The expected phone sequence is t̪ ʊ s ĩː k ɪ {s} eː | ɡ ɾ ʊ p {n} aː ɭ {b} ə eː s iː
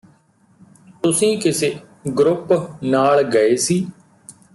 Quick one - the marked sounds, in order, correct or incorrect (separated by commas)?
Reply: correct, correct, incorrect